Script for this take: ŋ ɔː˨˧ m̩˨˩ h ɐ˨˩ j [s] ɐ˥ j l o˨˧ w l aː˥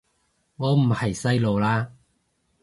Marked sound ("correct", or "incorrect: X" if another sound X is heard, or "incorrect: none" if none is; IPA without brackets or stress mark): correct